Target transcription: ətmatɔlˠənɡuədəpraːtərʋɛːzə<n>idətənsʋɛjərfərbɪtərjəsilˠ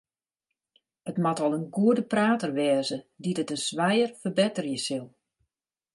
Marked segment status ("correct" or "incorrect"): incorrect